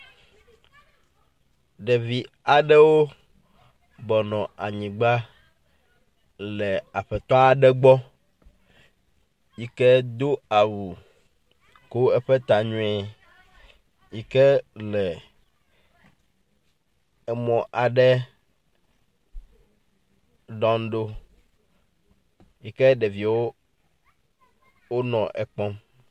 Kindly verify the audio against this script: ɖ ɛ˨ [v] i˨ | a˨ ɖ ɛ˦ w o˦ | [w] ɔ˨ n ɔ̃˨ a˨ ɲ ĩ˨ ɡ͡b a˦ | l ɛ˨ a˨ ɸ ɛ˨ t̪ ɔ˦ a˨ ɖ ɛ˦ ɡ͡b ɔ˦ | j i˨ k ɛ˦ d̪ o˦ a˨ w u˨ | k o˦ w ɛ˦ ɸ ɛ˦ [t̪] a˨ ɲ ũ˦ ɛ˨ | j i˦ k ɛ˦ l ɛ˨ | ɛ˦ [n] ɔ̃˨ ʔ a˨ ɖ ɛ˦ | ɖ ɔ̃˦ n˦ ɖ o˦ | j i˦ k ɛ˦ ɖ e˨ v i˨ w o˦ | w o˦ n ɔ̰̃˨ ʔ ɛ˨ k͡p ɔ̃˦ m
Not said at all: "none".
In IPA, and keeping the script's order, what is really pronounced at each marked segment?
v, b, t̪, m

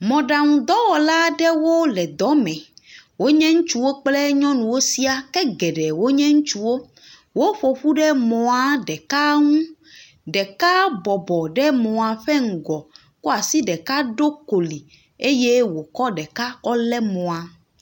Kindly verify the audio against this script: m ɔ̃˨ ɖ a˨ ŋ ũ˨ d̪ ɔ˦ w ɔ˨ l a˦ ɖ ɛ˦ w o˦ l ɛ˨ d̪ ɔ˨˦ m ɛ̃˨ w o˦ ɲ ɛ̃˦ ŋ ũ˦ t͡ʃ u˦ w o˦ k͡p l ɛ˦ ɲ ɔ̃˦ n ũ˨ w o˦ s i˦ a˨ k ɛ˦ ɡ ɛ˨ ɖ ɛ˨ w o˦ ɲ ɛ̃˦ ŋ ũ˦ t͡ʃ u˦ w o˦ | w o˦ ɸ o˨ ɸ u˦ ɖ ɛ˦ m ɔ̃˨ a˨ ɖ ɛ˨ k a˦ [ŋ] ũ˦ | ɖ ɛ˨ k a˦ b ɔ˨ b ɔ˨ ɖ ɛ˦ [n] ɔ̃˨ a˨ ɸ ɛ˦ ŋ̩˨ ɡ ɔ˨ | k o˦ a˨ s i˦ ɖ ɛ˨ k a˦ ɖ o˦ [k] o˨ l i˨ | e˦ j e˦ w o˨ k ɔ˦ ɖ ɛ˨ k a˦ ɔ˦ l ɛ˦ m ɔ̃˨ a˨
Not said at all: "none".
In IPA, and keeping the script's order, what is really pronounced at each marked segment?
ŋ, m, k

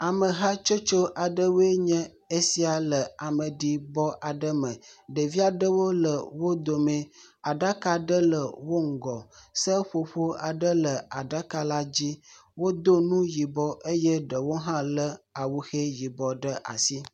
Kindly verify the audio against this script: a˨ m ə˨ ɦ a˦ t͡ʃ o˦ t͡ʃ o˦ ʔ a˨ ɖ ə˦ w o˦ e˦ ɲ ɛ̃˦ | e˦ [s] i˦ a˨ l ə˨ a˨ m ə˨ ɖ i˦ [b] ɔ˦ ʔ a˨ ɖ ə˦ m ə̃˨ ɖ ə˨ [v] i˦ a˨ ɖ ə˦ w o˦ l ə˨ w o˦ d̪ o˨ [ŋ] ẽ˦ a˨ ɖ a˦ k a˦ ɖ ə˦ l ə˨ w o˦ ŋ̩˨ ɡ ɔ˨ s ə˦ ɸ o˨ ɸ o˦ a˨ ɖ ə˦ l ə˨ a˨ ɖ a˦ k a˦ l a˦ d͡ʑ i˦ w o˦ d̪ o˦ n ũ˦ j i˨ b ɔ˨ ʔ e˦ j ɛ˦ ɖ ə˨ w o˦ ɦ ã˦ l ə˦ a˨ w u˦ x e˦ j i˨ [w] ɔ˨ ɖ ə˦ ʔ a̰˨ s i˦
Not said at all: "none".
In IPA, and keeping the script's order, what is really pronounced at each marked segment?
s, b, v, m, b

